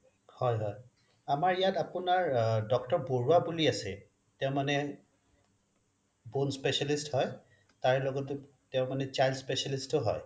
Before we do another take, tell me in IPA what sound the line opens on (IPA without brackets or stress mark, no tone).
h